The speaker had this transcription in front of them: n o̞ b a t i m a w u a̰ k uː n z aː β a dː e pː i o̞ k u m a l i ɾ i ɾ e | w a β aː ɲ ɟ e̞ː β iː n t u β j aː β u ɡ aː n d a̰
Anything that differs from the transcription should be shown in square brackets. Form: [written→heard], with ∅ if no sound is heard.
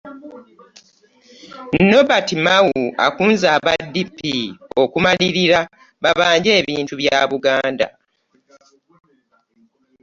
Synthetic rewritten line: n o̞ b a t i m a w u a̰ k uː n z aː β a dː [e→i] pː i o̞ k u m a l i ɾ i ɾ [e→a] | [w→β] a β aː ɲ ɟ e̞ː β iː n t u β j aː β u ɡ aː n d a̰